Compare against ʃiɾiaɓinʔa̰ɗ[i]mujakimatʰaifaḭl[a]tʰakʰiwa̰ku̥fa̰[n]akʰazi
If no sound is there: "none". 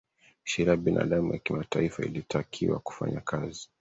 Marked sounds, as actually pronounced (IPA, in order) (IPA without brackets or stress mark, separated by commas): a, i, ɲ